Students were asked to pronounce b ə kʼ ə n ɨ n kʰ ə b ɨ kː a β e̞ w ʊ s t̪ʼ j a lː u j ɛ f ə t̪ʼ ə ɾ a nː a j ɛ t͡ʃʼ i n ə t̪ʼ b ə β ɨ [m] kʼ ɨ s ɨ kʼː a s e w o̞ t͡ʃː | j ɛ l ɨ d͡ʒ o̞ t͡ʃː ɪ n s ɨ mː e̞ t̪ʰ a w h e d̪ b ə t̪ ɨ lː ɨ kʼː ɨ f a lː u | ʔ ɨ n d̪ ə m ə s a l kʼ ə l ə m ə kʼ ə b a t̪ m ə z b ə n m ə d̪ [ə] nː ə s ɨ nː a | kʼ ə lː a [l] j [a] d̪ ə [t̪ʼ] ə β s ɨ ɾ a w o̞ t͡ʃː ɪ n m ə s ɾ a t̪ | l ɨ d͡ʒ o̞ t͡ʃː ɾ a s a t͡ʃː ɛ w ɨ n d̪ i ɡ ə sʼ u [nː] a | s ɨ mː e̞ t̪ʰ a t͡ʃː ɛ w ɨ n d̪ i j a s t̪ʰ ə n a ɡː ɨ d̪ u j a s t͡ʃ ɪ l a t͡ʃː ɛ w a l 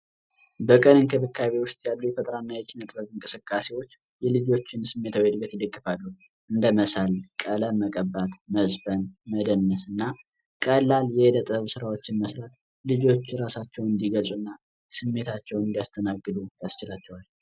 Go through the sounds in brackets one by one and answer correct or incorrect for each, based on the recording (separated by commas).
incorrect, correct, correct, incorrect, correct, correct